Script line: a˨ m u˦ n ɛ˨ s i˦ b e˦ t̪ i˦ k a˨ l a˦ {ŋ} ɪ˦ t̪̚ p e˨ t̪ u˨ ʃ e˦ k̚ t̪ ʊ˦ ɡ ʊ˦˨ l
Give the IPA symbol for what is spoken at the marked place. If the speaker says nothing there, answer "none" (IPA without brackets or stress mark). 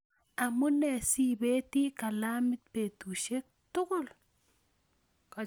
m